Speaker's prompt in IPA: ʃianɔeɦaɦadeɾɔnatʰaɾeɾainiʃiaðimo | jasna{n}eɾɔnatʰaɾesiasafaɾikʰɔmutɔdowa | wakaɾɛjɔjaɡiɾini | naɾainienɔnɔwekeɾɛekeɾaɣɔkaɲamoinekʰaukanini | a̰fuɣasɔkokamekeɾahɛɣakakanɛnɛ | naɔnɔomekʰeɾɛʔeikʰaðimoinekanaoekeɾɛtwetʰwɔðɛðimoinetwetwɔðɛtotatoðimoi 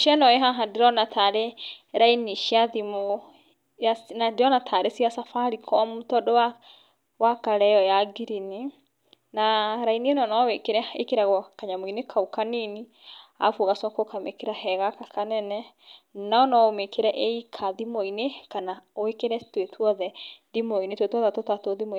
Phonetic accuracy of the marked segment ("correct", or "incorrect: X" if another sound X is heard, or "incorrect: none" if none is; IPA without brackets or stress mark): incorrect: d